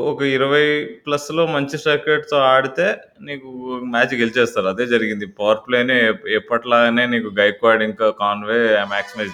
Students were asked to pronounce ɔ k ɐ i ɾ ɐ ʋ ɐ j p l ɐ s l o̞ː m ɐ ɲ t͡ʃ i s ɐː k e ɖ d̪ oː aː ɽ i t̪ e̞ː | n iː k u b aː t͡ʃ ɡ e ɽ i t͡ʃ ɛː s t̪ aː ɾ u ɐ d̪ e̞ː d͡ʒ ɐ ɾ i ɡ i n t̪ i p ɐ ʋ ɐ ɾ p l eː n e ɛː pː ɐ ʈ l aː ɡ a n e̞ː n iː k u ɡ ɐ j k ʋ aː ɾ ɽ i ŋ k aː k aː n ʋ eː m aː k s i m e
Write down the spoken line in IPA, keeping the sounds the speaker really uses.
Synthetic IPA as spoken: ɔ k ɐ i ɾ ɐ ʋ ɐ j p l ɐ s l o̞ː m ɐ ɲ t͡ʃ i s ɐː k e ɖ t̪ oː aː ɽ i t̪ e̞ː | n iː k u m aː t͡ʃ ɡ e l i t͡ʃ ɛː s t̪ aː ɾ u ɐ d̪ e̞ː d͡ʒ ɐ ɾ i ɡ i n d̪ i p ɐ ʋ ɐ ɾ p l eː n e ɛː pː ɐ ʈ l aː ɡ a n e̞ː n iː k u ɡ ɐ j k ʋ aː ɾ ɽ i ŋ k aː k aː n ʋ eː m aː k s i m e